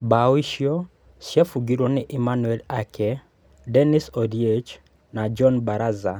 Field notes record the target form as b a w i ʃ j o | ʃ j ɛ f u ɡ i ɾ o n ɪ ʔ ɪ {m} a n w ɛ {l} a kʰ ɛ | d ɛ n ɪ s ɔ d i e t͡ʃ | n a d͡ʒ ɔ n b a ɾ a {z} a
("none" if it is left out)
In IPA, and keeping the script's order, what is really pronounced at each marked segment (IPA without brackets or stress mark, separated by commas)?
m, l, z